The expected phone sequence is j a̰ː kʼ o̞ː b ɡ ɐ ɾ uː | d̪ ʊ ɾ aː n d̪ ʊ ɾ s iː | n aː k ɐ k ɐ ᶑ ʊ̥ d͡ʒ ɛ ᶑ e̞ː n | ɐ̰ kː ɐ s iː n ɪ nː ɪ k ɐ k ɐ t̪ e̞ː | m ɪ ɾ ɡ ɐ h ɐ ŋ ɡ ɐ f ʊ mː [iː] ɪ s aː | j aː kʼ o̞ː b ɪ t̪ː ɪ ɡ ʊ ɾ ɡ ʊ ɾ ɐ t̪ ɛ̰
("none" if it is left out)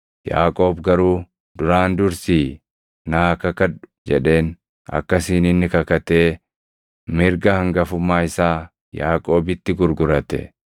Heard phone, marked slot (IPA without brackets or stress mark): aː